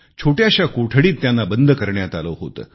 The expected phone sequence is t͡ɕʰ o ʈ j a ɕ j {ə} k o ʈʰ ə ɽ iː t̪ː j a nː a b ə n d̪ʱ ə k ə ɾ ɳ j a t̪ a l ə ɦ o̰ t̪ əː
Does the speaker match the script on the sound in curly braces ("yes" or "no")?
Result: no